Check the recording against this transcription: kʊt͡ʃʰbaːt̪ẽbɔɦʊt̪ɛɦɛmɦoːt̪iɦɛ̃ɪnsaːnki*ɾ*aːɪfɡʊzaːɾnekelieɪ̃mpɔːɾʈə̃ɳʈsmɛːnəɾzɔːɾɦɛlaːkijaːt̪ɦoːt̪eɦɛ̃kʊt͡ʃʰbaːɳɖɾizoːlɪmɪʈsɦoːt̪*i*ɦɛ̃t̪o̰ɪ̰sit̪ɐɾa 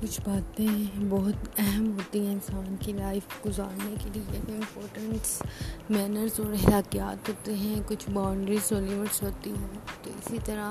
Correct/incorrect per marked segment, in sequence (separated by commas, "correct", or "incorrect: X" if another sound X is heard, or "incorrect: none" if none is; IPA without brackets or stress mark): incorrect: l, correct